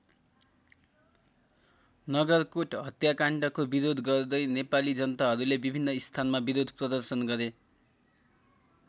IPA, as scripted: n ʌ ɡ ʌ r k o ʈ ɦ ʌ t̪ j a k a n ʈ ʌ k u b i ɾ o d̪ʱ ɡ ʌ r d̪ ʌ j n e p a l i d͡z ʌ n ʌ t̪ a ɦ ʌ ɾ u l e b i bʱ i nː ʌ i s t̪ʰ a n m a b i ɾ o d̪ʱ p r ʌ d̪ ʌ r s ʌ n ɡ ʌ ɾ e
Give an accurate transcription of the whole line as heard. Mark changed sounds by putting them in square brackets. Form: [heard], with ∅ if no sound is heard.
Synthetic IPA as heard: n ʌ ɡ ʌ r k o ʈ ɦ ʌ t̪ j a k a [ɳ] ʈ ʌ k [o] b i ɾ o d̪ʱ ɡ ʌ r d̪ ʌ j n e p a l i d͡z ʌ n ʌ t̪ a ɦ ʌ ɾ u l e b i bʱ i nː ʌ i s t̪ʰ a n m a b i ɾ o d̪ʱ p r ʌ d̪ ʌ r s ʌ n ɡ ʌ ɾ e